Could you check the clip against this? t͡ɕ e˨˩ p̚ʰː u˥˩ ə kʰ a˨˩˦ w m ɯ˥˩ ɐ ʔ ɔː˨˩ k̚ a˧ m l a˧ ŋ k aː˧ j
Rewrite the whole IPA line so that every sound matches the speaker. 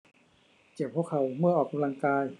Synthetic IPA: t͡ɕ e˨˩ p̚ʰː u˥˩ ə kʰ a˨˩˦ w m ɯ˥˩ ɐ ʔ ɔː˨˩ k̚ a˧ m l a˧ ŋ k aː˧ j